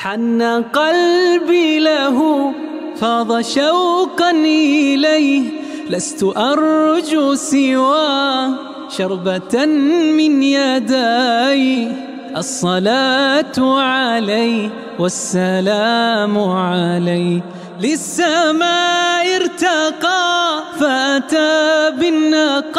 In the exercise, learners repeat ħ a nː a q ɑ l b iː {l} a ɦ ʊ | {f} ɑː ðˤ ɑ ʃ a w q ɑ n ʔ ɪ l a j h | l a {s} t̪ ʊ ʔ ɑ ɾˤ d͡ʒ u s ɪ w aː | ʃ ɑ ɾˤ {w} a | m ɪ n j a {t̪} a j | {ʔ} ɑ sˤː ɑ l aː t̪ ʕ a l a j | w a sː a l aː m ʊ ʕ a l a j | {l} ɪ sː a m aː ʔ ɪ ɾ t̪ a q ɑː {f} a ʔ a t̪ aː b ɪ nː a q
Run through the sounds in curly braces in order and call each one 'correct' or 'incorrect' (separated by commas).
correct, correct, correct, incorrect, incorrect, correct, correct, correct